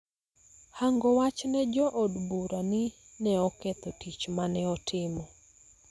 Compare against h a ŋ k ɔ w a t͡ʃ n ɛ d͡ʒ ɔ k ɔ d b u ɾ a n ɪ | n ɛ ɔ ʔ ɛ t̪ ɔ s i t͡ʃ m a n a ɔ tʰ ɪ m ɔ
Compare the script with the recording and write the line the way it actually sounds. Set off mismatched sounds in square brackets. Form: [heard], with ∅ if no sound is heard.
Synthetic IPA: h a ŋ [ɡ] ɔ w a t͡ʃ n ɛ d͡ʒ ɔ [ʔ] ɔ d b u ɾ a n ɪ | n ɛ ɔ [k] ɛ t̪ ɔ [t] i t͡ʃ m a n [ɛ] ɔ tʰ ɪ m ɔ